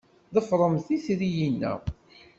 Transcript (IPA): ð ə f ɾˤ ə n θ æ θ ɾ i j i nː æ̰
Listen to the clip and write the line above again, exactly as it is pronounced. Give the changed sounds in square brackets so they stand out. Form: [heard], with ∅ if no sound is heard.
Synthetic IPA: ð ə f ɾˤ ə [m] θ [i] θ ɾ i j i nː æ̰